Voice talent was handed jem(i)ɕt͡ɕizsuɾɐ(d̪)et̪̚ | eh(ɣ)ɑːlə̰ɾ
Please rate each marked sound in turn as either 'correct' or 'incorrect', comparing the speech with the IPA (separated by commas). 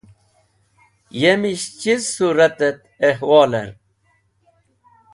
correct, incorrect, incorrect